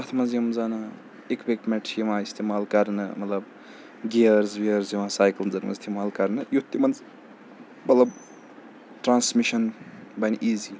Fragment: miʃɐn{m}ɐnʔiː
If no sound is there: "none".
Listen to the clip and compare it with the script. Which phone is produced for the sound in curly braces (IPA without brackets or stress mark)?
b